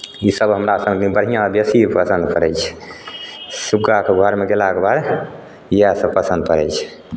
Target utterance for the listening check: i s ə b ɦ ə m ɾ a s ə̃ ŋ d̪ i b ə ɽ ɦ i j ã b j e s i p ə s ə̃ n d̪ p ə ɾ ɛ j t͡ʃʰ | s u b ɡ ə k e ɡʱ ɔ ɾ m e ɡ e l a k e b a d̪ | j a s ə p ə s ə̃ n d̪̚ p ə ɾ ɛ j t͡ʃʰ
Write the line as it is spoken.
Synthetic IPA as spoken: i s ə b ɦ ə m ɾ a s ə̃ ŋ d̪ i b ə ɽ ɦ i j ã b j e s i p ə s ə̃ n d̪ p ə ɾ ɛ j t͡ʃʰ | s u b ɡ a k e ɡʱ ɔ ɾ m e ɡ e l a k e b a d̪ | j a s ə p ə s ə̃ n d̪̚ p ə ɾ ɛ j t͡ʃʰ